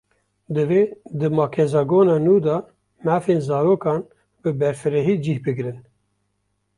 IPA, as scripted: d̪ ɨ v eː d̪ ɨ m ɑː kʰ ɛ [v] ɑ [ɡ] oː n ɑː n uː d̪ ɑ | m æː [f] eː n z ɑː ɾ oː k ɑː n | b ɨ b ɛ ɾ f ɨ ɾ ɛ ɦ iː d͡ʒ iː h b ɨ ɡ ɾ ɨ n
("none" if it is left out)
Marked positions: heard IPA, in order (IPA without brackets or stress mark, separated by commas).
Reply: z, ɡ, f